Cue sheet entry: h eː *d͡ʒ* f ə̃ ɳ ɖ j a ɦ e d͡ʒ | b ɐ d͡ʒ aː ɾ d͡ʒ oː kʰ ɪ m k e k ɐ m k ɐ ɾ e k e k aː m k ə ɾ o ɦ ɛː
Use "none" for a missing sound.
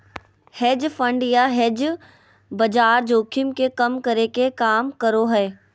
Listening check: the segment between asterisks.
d͡ʒ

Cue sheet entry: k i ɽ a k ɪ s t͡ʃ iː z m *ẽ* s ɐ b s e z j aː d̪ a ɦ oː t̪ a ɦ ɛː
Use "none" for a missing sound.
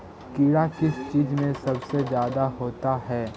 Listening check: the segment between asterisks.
ẽ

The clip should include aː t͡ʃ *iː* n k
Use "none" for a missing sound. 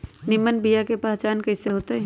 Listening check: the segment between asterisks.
aː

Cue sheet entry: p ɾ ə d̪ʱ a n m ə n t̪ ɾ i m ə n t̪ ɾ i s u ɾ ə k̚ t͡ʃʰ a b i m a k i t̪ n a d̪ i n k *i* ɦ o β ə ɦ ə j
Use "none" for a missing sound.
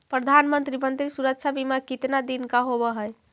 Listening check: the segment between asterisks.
a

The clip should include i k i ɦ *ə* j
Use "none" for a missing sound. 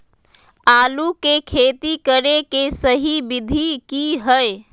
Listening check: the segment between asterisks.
ə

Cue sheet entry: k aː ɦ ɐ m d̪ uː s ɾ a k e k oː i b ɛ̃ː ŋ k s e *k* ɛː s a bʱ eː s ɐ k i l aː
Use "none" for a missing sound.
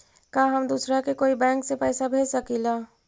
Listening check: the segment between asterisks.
p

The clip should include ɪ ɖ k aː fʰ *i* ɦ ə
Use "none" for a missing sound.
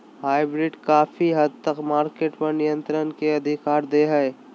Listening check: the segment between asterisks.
i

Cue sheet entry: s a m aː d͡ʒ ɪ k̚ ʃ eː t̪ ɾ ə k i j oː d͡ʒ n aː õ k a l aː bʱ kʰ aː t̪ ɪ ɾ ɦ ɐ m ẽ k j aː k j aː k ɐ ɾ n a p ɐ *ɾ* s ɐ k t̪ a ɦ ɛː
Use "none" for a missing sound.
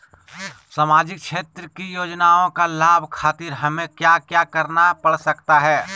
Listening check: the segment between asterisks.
ɽ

